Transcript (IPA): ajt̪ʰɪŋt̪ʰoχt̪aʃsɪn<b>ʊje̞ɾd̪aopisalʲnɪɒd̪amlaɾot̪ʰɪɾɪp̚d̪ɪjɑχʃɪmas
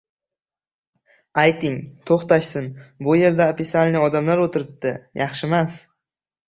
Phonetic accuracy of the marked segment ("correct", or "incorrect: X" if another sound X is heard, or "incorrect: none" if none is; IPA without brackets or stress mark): correct